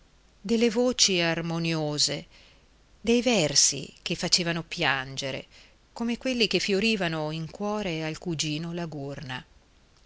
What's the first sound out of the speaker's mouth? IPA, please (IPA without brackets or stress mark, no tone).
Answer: d̪